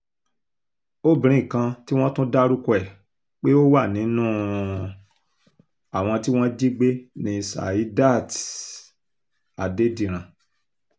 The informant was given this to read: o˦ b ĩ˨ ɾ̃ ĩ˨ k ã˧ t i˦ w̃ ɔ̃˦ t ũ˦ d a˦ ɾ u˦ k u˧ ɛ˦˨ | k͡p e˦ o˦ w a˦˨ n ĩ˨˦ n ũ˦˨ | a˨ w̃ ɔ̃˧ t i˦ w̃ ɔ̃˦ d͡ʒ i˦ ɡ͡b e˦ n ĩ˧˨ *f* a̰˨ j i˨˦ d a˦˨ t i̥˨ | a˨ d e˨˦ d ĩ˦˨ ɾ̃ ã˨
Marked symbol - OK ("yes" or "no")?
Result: no